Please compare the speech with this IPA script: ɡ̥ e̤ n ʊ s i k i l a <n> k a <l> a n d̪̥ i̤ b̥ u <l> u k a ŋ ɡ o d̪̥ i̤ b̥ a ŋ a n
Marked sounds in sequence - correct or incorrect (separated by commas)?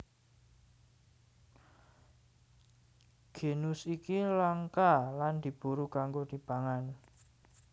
incorrect, correct, incorrect